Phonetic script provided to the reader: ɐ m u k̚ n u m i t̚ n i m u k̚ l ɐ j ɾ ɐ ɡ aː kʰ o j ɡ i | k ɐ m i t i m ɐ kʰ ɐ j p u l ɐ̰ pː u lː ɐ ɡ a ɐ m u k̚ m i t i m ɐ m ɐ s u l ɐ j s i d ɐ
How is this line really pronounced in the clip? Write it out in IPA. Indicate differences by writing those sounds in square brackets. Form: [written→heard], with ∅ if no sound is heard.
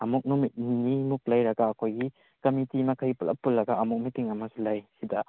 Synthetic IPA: ɐ m u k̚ n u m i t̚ n i m u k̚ l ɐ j ɾ ɐ ɡ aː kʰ o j ɡ i | k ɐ m i t i m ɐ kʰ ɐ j p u l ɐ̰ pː u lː ɐ ɡ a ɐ m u k̚ m i t i [m→ŋ] ɐ m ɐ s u l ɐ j s i d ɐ